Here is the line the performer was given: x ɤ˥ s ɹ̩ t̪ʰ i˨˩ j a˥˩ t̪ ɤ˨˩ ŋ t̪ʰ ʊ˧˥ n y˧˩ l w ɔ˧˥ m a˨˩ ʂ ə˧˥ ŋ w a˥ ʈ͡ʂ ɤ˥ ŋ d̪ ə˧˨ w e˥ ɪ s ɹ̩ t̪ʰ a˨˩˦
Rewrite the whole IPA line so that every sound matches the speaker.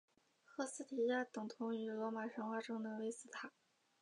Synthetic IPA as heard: x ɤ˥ s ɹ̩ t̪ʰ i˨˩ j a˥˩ t̪ ɤ˨˩ ŋ t̪ʰ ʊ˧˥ ŋ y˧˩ l w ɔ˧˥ m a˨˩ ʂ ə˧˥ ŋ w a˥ ʈ͡ʂ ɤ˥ ŋ d̪ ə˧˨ w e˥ ɪ s ɹ̩ t̪ʰ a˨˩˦